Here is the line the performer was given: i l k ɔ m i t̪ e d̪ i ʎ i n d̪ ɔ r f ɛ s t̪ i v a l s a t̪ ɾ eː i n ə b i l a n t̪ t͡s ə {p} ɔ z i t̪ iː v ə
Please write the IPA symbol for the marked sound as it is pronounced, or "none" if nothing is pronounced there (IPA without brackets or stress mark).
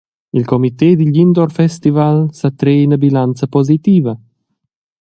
p